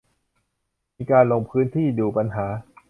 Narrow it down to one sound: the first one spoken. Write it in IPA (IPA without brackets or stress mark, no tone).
m